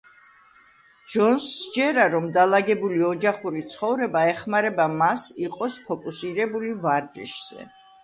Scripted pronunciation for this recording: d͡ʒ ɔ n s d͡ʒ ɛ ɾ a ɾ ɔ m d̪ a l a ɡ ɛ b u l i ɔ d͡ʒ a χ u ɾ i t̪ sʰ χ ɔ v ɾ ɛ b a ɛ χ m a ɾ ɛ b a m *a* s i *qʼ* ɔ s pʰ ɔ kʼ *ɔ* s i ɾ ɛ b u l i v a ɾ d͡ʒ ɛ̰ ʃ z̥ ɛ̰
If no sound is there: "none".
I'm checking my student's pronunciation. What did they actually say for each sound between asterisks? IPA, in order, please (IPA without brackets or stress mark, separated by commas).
a, qʼ, u